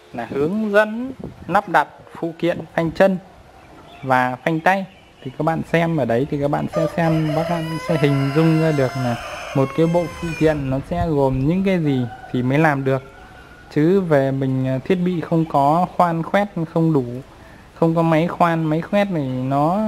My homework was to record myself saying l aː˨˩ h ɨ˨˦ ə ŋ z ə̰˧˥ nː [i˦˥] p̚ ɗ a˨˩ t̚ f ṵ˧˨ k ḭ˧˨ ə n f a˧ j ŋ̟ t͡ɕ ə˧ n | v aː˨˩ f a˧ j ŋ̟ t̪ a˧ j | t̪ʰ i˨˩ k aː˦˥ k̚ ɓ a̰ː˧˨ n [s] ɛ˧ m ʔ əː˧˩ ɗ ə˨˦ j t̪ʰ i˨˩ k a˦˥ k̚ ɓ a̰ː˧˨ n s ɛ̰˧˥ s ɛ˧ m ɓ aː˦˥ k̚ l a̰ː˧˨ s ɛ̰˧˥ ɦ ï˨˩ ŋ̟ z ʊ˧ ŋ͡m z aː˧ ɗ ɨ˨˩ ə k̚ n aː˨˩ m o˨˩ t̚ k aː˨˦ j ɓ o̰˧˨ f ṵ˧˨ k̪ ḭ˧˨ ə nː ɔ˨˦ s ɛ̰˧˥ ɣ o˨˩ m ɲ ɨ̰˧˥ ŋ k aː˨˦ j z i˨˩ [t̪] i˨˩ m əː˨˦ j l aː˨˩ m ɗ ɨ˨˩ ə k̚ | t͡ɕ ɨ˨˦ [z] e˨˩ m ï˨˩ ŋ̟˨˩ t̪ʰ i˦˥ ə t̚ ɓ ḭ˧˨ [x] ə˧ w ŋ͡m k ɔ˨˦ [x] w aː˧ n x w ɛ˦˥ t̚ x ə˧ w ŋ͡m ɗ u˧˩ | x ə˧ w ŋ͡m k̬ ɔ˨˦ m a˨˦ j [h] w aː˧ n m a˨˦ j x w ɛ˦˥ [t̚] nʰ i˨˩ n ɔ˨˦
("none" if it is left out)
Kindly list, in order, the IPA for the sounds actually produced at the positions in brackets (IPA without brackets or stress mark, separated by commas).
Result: a˦˥, s, t̪ʰ, v, x, x, x, t̚